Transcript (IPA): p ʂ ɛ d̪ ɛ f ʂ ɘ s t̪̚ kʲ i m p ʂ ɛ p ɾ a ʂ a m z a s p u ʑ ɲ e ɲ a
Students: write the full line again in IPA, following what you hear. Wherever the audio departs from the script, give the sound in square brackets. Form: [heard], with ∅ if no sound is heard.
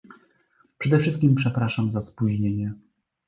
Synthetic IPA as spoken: p ʂ ɛ d̪ ɛ f ʂ ɘ s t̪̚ kʲ i m p ʂ ɛ p ɾ a ʂ a m z a s p u ʑ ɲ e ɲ [ɛ]